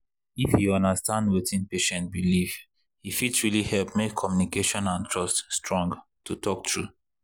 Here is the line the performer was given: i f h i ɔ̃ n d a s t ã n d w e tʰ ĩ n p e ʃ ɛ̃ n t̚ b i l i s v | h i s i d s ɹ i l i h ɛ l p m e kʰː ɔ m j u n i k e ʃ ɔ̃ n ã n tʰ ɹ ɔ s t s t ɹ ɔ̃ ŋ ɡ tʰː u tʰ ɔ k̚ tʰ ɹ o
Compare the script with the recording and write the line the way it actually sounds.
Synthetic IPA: i f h i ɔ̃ n d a s t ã n d w e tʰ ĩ n p e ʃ ɛ̃ n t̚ b i l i v | h i f i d s ɹ i l i h ɛ l p m e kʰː ɔ m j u n i k e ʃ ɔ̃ n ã n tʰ ɹ ɔ s t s t ɹ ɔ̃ ŋ ɡ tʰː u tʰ ɔ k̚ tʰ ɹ u